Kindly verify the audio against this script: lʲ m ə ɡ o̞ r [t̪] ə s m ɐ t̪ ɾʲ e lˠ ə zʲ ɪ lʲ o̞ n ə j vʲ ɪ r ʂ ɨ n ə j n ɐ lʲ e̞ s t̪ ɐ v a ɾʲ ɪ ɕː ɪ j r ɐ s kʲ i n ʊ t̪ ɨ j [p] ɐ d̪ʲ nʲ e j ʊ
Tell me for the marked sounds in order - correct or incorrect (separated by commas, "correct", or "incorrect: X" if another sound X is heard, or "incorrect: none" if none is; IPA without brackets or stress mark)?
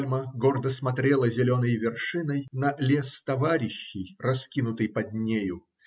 incorrect: d̪, correct